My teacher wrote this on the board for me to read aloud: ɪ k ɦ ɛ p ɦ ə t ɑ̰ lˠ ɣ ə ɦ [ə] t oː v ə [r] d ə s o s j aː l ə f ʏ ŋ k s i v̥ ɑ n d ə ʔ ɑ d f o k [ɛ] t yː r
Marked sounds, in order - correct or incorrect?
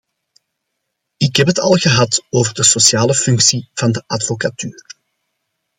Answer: incorrect, correct, incorrect

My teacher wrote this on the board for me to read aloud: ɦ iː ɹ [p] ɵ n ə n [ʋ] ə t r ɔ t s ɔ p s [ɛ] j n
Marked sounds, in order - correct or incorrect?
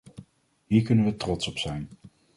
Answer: incorrect, correct, correct

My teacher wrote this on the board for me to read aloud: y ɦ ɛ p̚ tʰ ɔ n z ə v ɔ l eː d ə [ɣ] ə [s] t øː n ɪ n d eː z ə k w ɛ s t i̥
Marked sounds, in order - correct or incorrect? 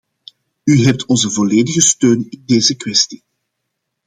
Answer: correct, correct

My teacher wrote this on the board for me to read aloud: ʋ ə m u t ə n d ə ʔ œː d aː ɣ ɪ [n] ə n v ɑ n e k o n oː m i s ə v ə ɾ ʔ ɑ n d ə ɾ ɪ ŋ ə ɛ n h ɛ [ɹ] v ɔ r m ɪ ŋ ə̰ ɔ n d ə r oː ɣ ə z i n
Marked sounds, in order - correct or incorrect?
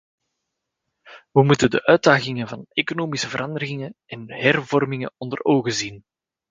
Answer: incorrect, incorrect

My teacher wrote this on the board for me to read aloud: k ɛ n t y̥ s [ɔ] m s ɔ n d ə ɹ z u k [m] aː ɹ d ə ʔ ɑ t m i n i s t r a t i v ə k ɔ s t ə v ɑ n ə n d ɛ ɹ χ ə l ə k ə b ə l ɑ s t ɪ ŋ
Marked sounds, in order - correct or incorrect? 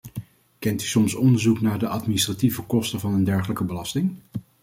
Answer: correct, incorrect

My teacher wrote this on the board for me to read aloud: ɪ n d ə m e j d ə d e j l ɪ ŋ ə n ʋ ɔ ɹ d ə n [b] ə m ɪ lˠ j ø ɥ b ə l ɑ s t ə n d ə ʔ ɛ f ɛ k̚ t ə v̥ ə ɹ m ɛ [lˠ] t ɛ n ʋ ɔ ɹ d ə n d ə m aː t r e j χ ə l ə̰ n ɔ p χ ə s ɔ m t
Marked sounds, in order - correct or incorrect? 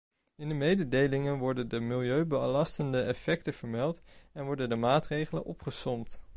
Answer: incorrect, correct

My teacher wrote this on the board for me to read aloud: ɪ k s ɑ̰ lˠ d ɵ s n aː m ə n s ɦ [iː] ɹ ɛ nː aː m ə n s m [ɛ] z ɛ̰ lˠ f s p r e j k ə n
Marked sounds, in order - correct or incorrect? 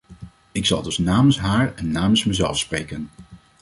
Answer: incorrect, correct

